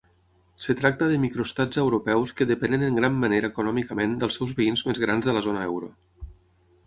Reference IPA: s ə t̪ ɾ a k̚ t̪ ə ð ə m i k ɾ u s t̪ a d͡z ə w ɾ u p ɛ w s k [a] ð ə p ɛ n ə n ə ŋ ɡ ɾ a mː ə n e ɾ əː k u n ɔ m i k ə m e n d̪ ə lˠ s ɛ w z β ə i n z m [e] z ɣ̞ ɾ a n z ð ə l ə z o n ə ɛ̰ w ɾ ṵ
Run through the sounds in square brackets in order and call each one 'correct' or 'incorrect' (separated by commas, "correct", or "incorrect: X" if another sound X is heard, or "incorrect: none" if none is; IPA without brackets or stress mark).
incorrect: ə, correct